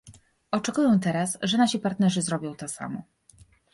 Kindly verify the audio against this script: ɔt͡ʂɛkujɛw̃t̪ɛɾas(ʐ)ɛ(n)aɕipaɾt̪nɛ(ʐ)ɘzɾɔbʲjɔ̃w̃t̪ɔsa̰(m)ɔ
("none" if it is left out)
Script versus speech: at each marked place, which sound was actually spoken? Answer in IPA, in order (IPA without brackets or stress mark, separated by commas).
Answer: ʐ, n, ʐ, m